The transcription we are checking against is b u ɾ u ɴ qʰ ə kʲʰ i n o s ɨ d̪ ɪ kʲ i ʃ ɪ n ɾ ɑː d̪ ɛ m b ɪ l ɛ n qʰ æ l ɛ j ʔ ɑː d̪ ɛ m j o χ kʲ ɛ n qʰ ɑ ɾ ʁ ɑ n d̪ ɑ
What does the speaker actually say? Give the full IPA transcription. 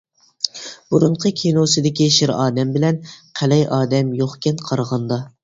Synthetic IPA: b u ɾ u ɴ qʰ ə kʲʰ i n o s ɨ d̪ ɪ kʲ i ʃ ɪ ɾ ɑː d̪ ɛ m b ɪ l ɛ n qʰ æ l ɛ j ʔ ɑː d̪ ɛ m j o χ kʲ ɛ n qʰ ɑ ɾ ʁ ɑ n d̪ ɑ